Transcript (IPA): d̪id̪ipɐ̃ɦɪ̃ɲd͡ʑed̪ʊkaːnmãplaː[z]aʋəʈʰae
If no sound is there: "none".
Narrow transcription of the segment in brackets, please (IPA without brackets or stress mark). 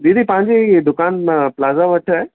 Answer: z